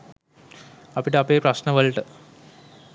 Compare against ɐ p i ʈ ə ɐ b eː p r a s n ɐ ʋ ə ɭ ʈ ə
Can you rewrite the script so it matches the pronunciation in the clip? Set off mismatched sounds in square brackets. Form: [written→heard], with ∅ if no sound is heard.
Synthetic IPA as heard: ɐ p i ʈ ə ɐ [b→p] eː p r [a→ɐ] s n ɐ ʋ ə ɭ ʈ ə

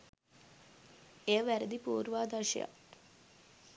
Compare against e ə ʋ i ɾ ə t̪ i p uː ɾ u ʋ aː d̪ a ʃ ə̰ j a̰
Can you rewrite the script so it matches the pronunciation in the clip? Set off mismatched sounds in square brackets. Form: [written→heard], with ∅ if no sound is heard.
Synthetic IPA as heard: e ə ʋ [i→æ] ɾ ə [t̪→d̪] i p uː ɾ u ʋ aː d̪ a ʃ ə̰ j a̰

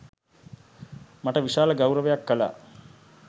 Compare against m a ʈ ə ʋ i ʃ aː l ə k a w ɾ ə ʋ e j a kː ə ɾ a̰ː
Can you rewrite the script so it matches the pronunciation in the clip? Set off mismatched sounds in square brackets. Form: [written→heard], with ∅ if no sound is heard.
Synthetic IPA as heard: m a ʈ ə ʋ i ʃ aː l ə [k→ɡ] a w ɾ ə ʋ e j a kː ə [ɾ→l] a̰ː

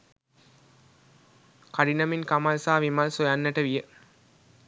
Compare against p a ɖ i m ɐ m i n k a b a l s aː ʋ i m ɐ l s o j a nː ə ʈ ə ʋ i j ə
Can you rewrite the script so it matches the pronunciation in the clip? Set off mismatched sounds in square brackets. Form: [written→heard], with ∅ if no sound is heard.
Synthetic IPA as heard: [p→k] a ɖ i [m→n] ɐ m i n k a [b→m] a l s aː ʋ i m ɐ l s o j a nː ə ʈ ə ʋ i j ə

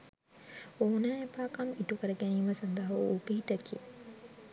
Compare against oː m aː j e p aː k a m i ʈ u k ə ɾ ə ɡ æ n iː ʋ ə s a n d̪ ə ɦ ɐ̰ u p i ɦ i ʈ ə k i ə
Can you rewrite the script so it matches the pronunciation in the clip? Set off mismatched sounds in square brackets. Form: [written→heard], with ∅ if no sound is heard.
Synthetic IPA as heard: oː [m→n] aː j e p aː k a m i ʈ u k ə ɾ ə ɡ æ n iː ʋ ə s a n d̪ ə ɦ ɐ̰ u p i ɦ i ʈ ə k i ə

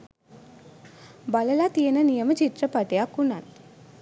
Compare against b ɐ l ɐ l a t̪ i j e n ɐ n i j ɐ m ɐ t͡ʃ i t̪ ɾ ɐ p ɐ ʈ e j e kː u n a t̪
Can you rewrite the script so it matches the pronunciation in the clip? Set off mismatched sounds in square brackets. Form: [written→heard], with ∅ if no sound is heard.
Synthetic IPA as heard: b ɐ l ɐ l a t̪ i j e n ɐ n i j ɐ m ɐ t͡ʃ i t̪ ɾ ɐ p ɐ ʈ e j [e→a] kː u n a t̪

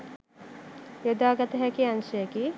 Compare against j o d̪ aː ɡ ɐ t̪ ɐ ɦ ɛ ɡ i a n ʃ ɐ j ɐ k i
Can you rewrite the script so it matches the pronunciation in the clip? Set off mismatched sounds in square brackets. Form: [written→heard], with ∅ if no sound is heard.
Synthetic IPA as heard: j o d̪ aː ɡ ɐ t̪ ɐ ɦ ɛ [ɡ→k] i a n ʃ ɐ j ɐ k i

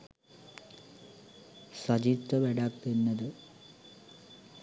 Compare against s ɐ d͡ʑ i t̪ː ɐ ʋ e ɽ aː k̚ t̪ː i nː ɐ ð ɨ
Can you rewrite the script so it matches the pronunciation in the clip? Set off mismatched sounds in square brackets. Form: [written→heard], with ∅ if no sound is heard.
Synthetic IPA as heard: s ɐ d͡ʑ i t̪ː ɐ ʋ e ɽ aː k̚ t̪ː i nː ɐ ð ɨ

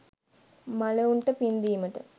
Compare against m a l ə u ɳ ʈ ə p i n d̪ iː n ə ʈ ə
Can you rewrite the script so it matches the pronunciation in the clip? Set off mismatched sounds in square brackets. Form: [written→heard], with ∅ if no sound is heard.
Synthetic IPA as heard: m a l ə u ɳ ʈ ə p i n d̪ iː [n→m] ə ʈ ə

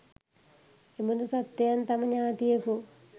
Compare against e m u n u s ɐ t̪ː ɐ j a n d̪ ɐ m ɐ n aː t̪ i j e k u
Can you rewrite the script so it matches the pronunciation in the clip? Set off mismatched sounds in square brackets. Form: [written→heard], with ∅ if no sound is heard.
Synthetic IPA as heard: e m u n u s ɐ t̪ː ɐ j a n [d̪→t̪] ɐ m ɐ [n→ɲ] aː t̪ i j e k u

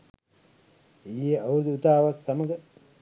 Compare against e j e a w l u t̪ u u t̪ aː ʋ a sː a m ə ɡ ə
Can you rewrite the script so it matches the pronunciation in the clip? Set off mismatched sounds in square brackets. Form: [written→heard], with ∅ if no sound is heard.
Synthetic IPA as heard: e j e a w [l→ɾ] u [t̪→d̪] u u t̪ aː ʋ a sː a m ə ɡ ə

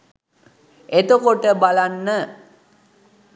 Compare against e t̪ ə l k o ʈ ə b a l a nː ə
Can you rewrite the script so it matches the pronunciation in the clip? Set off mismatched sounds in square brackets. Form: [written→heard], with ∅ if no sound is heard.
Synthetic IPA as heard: e t̪ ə [l→∅] k o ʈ ə b a l a nː ə

